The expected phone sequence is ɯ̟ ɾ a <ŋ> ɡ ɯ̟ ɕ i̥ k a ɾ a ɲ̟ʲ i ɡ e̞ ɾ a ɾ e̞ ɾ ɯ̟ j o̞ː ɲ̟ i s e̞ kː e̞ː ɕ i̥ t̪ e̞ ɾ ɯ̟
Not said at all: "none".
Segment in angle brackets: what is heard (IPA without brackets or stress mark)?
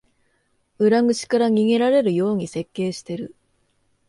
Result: ŋ